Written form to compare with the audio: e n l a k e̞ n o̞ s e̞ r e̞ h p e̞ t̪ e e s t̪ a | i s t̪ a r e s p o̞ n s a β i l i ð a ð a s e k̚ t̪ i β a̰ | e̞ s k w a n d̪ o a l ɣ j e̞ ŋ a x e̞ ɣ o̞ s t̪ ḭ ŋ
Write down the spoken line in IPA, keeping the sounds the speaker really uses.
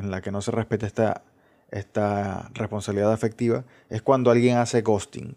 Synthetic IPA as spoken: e n l a k e̞ n o̞ s e̞ r e̞ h p e̞ t̪ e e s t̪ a | e s t̪ a r e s p o̞ n s a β i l i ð a ð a f e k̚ t̪ i β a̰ | e̞ s k w a n d̪ o a l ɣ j e̞ ŋ a s e̞ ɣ o̞ s t̪ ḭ ŋ